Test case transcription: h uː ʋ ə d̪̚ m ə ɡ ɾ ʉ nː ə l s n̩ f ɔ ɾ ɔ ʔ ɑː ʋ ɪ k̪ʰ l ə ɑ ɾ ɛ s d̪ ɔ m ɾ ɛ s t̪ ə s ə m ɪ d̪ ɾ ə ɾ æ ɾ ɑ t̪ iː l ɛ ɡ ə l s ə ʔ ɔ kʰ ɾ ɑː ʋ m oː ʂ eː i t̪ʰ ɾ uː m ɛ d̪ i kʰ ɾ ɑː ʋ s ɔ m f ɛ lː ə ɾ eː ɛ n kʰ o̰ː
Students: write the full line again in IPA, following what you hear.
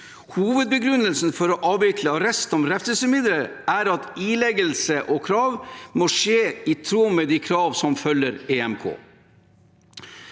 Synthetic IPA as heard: h uː ʋ ə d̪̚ b ə ɡ ɾ ʉ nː ə l s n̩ f ɔ ɾ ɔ ʔ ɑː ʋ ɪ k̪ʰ l ə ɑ ɾ ɛ s t̪ ɔ m ɾ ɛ f t̪ ə s ə m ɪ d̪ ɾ ə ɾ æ ɾ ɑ t̪ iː l ɛ ɡ ə l s ə ʔ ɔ kʰ ɾ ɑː ʋ m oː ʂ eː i t̪ʰ ɾ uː m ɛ d̪ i kʰ ɾ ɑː ʋ s ɔ m f œ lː ə ɾ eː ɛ m kʰ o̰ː

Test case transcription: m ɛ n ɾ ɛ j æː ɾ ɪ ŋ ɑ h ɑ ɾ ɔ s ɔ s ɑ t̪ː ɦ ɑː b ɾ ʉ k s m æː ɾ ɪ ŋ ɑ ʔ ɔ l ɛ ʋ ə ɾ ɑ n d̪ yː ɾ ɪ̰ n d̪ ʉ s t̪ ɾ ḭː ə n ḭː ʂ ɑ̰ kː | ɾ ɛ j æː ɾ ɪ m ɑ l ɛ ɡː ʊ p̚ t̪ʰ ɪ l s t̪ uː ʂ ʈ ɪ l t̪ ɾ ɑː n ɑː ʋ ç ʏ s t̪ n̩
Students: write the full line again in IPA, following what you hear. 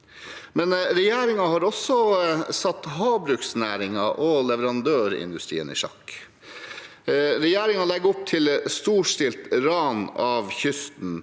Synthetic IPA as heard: m ɛ n ɾ ɛ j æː ɾ ɪ ŋ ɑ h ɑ ɾ ɔ s ɔ s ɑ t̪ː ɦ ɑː b ɾ ʉ k s n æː ɾ ɪ ŋ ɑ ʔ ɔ l ɛ ʋ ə ɾ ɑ n d̪ øː ɾ ɪ̰ n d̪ ʉ s t̪ ɾ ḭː ə n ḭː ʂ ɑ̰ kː | ɾ ɛ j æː ɾ ɪ ŋ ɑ l ɛ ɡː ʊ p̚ t̪ʰ ɪ l s t̪ uː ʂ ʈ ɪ l t̪ ɾ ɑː n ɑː ʋ ç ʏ s t̪ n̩

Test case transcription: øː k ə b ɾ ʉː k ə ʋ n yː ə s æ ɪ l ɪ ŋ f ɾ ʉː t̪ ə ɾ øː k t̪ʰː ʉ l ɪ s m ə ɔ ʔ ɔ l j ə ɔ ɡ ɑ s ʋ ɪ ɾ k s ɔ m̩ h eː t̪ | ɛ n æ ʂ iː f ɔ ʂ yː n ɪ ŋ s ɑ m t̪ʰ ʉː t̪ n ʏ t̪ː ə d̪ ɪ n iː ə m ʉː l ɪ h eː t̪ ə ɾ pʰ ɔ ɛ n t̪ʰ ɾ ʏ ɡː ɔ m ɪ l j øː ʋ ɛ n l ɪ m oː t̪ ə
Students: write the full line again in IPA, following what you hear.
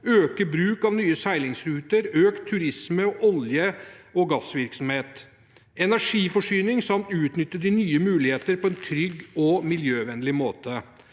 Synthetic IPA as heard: øː k ə b ɾ ʉː k ɑ ʋ n yː ə s æ ɪ l ɪ ŋ s ɾ ʉː t̪ ə ɾ øː k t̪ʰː ʉ ɾ ɪ s m ə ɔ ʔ ɔ l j ə ɔ ɡ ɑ s ʋ ɪ ɾ k s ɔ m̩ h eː t̪ | ɛ n æ ʂ iː f ɔ ʂ yː n ɪ ŋ s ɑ m t̪ ʉː t̪ n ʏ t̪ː ə d̪ ɪ n yː ə m ʉː l ɪ h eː t̪ ə ɾ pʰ ɔ ɛ n t̪ʰ ɾ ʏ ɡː ɔ m ɪ l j øː ʋ ɛ n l ɪ m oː t̪ ə

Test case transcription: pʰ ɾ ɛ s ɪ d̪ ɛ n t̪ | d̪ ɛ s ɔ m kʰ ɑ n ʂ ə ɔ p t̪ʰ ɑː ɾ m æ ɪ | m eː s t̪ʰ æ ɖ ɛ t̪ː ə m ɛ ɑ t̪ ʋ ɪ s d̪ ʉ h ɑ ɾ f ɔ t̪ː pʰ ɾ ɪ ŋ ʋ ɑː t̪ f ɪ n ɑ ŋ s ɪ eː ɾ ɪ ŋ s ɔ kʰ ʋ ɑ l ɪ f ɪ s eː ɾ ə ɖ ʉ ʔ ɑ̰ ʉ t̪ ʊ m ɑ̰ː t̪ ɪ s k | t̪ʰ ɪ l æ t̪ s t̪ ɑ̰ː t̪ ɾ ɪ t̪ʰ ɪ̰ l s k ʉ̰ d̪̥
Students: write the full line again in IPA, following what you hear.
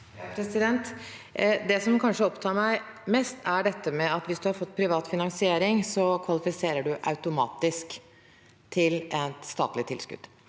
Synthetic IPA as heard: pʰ ɾ ɛ s ɪ d̪ ɛ n t̪ | d̪ ɛ s ɔ m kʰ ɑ n ʂ ə ɔ p t̪ʰ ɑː ɾ m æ ɪ | m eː s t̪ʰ æ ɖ ɛ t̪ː ə m ɛ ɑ t̪ ʋ ɪ s d̪ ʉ h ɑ ɾ f ɔ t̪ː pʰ ɾ ɪ ʋ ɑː t̪ f ɪ n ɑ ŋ s ɪ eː ɾ ɪ ŋ s ɔ kʰ ʋ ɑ l ɪ f ɪ s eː ɾ ə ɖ ʉ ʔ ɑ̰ ʉ t̪ ʊ m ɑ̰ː t̪ ɪ s k | t̪ʰ ɪ l ɛ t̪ s t̪ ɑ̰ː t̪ l ɪ t̪ʰ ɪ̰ l s k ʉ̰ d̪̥

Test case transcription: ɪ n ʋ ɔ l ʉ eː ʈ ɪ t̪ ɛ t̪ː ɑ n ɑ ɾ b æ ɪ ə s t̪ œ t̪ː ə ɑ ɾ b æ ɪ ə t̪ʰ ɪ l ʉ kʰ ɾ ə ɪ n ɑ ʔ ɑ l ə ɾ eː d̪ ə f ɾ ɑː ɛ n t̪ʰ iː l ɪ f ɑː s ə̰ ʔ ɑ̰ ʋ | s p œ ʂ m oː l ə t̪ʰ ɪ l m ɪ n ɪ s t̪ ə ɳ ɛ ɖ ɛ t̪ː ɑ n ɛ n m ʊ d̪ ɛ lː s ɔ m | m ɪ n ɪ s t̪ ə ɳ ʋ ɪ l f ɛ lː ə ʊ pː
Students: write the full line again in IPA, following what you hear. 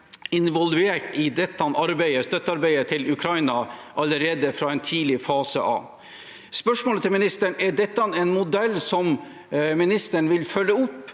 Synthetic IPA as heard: ɪ n ʋ ɔ l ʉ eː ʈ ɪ d̪ ɛ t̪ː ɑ n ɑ ɾ b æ ɪ ə s t̪ œ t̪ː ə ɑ ɾ b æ ɪ ə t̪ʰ ɪ l ʉ kʰ ɾ ɑ ɪ n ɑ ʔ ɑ l ə ɾ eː d̪ ə f ɾ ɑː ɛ n t̪ʰ iː l ɪ f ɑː s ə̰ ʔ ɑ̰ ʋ | s p œ ʂ m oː l ə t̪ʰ ɪ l m ɪ n ɪ s t̪ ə ɳ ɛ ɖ ɛ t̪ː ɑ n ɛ n m ʊ d̪ ɛ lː s ɔ m | m ɪ n ɪ s t̪ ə ɳ ʋ ɪ l f œ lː ə ʊ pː

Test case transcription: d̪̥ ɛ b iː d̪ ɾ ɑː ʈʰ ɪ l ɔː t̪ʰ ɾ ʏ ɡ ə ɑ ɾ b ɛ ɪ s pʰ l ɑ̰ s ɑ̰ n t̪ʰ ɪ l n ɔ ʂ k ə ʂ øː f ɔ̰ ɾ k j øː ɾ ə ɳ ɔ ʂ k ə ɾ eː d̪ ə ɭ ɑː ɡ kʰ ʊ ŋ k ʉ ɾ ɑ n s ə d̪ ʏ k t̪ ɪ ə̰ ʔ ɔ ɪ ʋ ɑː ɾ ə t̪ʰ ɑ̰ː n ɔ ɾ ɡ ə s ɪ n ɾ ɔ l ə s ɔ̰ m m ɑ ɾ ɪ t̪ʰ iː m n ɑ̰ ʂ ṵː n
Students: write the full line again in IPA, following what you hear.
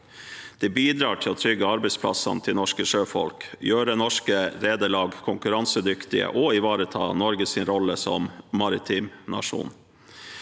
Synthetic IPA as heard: d̪̥ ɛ b iː d̪ ɾ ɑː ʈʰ ɪ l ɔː t̪ʰ ɾ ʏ ɡ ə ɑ ɾ b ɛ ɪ s pʰ l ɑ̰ s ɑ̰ n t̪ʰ ɪ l n ɔ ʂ k ə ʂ øː f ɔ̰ l k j øː ɾ ə n ɔ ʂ k ə ɾ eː d̪ ə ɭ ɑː ɡ kʰ ʊ ŋ k ʉ ɾ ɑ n s ə d̪ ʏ k t̪ ɪ ə̰ ʔ ɔ ɪ ʋ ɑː ɾ ə t̪ʰ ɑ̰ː n ɔ ɾ ɡ ə s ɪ n ɾ ɔ l ə s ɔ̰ m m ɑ ɾ ɪ t̪ʰ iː m n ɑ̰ ʂ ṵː n

